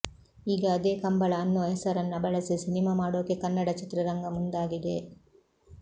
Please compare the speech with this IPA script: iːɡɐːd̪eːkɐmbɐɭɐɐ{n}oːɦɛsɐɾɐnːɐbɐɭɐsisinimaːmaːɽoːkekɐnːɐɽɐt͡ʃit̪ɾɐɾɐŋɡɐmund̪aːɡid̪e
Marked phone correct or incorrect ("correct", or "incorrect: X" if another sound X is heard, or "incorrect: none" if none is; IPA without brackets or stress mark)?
incorrect: nː